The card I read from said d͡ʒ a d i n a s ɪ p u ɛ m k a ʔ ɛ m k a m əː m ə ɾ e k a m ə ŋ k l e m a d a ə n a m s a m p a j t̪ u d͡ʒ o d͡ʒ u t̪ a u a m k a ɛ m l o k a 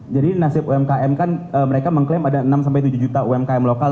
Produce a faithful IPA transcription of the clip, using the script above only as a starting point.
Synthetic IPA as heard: d͡ʒ a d i n a s ɪ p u ɛ m k a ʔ ɛ m k a n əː m ə ɾ e k a m ə ŋ k l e m a d a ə n a m s a m p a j t̪ u d͡ʒ u d͡ʒ u t̪ a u ɛ m k a ɛ m l o k a